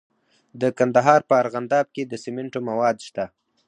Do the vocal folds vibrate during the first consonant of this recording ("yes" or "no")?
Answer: yes